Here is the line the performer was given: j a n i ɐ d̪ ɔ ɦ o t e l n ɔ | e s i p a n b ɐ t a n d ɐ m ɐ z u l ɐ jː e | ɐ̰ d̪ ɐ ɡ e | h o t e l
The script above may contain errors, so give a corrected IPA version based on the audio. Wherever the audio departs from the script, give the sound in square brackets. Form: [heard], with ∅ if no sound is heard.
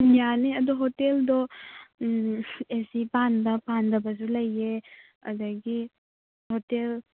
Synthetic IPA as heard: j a n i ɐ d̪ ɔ ɦ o t e l [d] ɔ | e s i p a n b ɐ [p] a n d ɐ [b] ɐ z u l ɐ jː e | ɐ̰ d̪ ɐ ɡ [i] | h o t e l